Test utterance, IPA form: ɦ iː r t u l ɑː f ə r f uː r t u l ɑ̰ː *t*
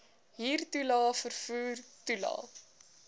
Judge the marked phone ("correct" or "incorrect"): incorrect